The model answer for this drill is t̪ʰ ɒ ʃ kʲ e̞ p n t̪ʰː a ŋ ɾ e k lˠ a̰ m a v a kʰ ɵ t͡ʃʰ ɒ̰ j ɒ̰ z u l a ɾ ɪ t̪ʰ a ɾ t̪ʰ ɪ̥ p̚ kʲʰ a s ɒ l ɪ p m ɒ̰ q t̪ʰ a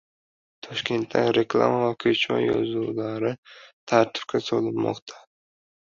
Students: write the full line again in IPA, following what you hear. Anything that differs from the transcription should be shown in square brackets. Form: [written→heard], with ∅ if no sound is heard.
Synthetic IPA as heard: t̪ʰ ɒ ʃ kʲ e̞ [p→∅] n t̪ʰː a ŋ ɾ e k lˠ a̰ m a v a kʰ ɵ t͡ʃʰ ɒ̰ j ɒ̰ z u l a ɾ ɪ t̪ʰ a ɾ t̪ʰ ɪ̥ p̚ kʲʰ a s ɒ l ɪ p m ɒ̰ q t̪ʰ a